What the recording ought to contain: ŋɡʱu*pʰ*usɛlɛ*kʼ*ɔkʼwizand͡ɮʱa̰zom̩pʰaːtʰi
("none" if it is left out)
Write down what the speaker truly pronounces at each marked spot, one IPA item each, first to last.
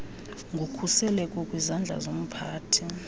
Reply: kʰ, kʼ

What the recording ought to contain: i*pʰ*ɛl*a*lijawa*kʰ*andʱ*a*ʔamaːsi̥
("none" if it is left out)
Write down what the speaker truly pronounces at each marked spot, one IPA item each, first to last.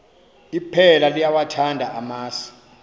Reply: pʰ, a, tʰ, a

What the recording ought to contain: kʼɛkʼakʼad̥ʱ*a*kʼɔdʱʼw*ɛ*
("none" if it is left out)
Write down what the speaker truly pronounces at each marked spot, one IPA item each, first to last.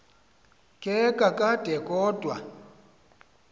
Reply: ɛ, a

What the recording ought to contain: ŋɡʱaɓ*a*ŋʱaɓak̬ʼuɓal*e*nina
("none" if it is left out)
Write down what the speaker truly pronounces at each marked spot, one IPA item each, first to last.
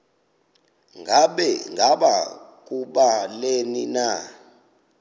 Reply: ɛ, e

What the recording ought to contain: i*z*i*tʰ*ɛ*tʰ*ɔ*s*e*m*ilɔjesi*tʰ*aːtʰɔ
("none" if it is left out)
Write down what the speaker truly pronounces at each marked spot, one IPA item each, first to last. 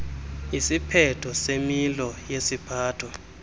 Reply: s, pʰ, tʰ, s, m, pʰ

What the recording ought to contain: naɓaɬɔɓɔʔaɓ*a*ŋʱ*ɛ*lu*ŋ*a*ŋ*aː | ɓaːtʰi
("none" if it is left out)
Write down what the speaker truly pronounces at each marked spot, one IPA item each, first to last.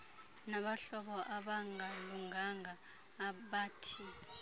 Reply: a, a, ŋ, ŋ

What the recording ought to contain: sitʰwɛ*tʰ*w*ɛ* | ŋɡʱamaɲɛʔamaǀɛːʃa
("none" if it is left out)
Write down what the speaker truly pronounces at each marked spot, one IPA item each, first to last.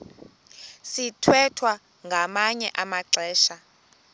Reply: tʰ, a

